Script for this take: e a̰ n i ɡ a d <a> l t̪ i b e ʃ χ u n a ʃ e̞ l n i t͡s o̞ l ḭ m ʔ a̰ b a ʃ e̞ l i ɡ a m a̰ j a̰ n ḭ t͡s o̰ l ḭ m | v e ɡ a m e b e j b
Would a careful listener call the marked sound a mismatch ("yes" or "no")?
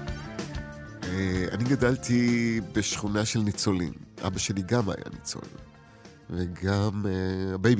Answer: no